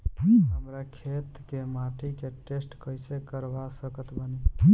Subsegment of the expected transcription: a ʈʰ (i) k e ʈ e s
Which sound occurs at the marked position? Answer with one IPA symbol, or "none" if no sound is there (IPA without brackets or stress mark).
i